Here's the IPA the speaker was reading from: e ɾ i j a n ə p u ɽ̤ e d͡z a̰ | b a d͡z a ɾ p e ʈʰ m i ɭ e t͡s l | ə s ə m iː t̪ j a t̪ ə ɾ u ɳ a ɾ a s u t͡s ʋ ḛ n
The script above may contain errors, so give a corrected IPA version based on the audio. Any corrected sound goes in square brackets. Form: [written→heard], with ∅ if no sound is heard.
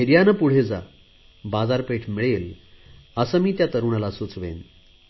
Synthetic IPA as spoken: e ɾ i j a n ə p u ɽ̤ e d͡z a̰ | b a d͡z a ɾ p e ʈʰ m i ɭ e [t͡s→∅] l | ə s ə m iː t̪ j a t̪ ə ɾ u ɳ a [ɾ→l] a s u t͡s ʋ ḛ n

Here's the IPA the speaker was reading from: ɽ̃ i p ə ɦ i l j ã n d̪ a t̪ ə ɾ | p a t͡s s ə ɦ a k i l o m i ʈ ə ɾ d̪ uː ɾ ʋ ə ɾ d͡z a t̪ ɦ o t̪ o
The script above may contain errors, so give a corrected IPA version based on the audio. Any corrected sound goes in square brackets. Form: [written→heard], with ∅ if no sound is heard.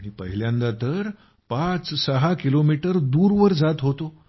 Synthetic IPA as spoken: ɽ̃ i p ə ɦ i l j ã n d̪ a t̪ ə ɾ | p a t͡s s ə ɦ a k i l o m i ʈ ə ɾ d̪ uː ɾ ʋ ə ɾ d͡z a t̪ ɦ o t̪ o

